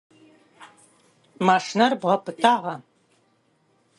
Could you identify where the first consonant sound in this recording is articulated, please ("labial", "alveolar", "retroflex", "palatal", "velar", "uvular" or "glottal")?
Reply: labial